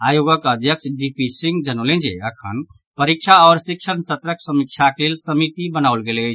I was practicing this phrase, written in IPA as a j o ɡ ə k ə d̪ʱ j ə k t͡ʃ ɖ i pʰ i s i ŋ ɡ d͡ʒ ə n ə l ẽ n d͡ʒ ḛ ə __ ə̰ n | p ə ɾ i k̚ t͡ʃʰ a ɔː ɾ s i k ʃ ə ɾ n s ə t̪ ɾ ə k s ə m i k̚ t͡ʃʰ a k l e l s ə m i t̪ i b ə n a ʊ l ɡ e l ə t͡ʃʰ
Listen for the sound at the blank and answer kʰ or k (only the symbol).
kʰ